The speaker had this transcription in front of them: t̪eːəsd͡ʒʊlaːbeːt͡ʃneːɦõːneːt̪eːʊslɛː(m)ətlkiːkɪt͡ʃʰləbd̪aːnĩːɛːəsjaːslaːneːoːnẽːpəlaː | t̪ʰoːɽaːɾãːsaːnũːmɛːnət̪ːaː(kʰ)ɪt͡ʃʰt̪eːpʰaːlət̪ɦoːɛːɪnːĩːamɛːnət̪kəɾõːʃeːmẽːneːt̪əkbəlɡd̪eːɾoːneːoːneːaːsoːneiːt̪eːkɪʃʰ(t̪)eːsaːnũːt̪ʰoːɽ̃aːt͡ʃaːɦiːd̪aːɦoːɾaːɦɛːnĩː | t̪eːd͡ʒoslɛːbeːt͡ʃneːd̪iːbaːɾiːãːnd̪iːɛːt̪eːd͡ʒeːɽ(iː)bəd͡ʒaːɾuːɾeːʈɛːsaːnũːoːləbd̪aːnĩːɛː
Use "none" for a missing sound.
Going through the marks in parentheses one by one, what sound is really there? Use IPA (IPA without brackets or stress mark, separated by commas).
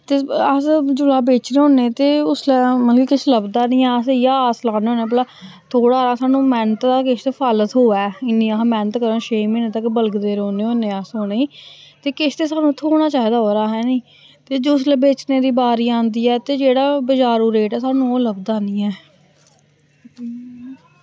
m, k, t̪, aː